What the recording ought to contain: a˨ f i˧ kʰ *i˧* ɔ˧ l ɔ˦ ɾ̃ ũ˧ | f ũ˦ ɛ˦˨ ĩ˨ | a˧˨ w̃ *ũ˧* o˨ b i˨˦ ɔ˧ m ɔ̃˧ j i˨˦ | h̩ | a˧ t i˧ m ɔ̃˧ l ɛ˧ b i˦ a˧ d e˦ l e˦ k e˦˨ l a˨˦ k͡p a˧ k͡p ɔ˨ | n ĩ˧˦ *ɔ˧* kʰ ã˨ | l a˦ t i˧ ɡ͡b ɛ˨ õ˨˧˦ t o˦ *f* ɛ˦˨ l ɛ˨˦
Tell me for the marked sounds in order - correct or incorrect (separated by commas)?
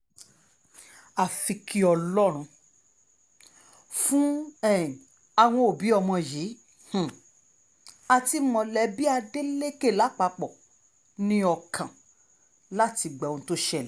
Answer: correct, incorrect, correct, incorrect